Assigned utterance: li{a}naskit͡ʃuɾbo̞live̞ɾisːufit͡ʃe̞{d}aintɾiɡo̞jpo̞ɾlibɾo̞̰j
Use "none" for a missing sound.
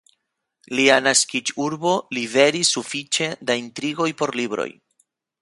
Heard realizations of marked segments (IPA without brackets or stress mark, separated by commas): a, d